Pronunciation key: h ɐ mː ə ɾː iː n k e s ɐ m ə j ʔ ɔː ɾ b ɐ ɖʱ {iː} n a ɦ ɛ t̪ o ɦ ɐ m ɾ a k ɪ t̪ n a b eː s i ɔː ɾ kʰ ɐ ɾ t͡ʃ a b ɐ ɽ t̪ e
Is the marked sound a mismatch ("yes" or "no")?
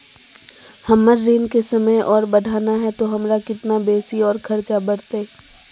yes